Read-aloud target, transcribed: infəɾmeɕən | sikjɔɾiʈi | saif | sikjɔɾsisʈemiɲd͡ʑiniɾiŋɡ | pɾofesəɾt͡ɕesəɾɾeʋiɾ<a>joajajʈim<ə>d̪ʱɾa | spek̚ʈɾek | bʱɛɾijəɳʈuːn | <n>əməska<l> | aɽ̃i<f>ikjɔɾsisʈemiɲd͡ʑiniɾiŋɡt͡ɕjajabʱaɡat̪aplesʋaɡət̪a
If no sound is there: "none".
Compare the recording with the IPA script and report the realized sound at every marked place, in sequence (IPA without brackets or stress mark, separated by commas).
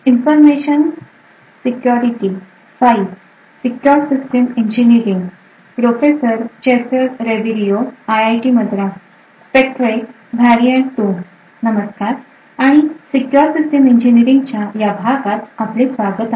i, ə, n, ɾ, s